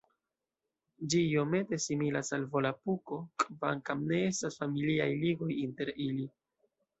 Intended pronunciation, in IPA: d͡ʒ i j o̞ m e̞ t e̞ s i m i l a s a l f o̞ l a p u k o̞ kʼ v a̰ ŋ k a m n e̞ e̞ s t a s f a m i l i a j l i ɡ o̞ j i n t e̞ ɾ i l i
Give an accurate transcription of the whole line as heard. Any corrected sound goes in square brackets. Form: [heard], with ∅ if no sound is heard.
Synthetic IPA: d͡ʒ i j o̞ m e̞ t e̞ s i m i l a s a l [v] o̞ l a p u k o̞ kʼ v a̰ ŋ k a m n e̞ e̞ s t a s f a m i l i a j l i ɡ o̞ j i n t e̞ ɾ i l i

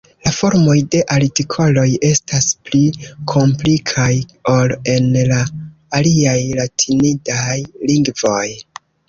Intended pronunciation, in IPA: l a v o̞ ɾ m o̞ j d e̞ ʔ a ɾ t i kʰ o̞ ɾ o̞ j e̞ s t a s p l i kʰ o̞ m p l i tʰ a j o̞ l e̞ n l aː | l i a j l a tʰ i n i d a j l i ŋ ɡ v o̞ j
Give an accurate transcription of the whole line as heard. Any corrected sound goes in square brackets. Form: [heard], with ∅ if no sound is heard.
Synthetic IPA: l a [f] o̞ ɾ m o̞ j d e̞ ʔ a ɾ t i kʰ o̞ [l] o̞ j e̞ s t a s p l i kʰ o̞ m p l i [kʰ] a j o̞ l e̞ n l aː | l i a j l a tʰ i n i d a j l i ŋ ɡ v o̞ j

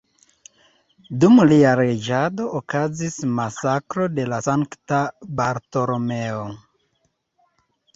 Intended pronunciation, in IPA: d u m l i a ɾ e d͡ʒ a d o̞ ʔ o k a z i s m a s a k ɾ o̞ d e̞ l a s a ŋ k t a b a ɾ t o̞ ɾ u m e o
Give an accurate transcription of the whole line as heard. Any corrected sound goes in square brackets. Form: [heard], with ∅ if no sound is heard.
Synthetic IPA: d u m l i a ɾ e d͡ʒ a d o̞ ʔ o k a z i s m a s a k ɾ o̞ d e̞ l a s a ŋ k t a b a ɾ t o̞ ɾ [o] m e o

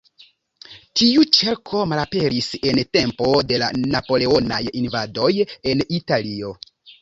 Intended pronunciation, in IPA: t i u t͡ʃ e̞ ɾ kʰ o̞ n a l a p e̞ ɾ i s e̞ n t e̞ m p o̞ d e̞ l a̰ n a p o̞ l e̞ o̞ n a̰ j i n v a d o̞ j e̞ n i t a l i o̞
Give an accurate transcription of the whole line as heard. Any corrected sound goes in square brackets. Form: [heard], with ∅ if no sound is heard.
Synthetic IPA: t i u t͡ʃ e̞ ɾ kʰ o̞ [m] a l a p e̞ ɾ i s e̞ n t e̞ m p o̞ d e̞ l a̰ n a p o̞ l e̞ o̞ n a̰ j i n v a d o̞ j e̞ n i t a l i o̞

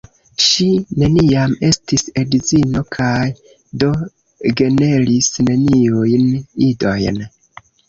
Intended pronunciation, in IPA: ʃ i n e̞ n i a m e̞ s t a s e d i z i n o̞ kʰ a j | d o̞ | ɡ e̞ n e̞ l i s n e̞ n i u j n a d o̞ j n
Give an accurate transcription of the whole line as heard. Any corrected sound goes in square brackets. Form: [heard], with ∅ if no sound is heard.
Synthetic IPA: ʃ i n e̞ n i a m e̞ s t [i] s e d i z i n o̞ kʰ a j | d o̞ | ɡ e̞ n e̞ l i s n e̞ n i u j n [i] d o̞ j n

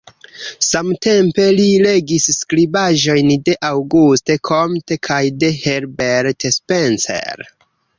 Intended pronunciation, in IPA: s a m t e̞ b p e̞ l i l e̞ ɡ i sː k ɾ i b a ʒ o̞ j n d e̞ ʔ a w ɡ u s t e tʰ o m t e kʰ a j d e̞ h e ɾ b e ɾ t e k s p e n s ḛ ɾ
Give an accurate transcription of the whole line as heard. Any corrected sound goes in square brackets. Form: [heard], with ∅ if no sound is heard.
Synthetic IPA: s a m t e̞ [m] p e̞ l i l e̞ ɡ i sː k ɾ i b a ʒ o̞ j n d e̞ ʔ a w ɡ u s t e [kʰ] o m t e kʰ a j d e̞ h e ɾ b e ɾ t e [∅] s p e n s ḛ ɾ

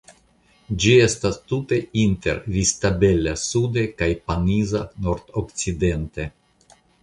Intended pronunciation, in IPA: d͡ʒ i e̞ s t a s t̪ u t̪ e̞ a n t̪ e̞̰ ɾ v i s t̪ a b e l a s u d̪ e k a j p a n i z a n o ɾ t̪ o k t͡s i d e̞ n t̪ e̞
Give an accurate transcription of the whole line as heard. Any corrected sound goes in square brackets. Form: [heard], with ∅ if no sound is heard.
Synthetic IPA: d͡ʒ i e̞ s t a s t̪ u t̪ e̞ [i] n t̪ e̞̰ ɾ v i s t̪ a b e l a s u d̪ e k a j p a n i z a n o ɾ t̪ o k t͡s i d e̞ n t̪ e̞

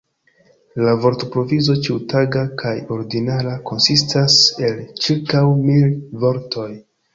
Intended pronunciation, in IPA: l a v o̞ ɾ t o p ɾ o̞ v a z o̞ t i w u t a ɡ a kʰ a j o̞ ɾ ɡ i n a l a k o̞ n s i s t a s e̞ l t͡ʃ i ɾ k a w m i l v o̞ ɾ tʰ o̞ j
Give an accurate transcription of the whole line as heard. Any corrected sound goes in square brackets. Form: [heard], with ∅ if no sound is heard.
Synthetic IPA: l a v o̞ ɾ t o p ɾ o̞ v [i] z o̞ [t͡ʃ] i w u t a ɡ a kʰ a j o̞ ɾ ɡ i n a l a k o̞ n s i s t a s e̞ l t͡ʃ i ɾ k a w m i l v o̞ ɾ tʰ o̞ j

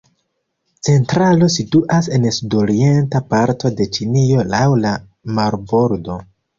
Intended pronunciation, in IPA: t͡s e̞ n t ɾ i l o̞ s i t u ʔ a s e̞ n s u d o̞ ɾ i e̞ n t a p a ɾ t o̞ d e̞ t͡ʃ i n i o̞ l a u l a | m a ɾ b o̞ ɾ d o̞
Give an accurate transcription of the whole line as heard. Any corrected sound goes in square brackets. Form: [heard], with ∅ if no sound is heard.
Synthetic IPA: t͡s e̞ n t ɾ [a] l o̞ s i t u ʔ a s e̞ n s u d o̞ ɾ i e̞ n t a p a ɾ t o̞ d e̞ t͡ʃ i n i o̞ l a [w] l a | m a ɾ b o̞ ɾ d o̞

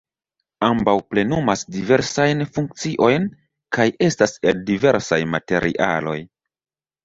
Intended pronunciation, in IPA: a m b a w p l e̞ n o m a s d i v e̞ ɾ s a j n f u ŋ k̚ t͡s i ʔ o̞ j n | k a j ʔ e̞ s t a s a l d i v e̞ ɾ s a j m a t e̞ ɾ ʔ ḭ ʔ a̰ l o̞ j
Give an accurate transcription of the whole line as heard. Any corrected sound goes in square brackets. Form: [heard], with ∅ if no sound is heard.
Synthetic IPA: a m b a w p l e̞ n [u] m a s d i v e̞ ɾ s a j n f u ŋ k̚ t͡s i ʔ o̞ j n | k a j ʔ e̞ s t a s [e] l d i v e̞ ɾ s a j m a t e̞ ɾ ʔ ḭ ʔ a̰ l o̞ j

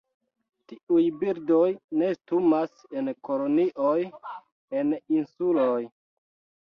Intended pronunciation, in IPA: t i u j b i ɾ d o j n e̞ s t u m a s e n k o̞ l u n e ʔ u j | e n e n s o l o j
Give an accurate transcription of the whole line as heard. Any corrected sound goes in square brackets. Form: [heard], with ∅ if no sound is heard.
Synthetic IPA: t i u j b i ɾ d o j n e̞ s t u m a s e n k o̞ l [o] n [i] ʔ [o] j | e n [i] n s [u] l o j

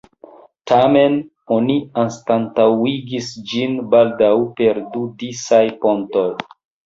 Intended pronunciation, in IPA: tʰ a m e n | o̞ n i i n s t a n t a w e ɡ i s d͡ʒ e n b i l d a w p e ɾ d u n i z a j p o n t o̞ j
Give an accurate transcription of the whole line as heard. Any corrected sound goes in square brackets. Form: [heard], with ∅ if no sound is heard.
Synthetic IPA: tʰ a m e n | o̞ n i [a] n s t a n t a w [i] ɡ i s d͡ʒ [i] n b [a] l d a w p e ɾ d u [d] i [s] a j p o n t o̞ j

